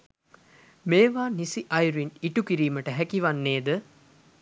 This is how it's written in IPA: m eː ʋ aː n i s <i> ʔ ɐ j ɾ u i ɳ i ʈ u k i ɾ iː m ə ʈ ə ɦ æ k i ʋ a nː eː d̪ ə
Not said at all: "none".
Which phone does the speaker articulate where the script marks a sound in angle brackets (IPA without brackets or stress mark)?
i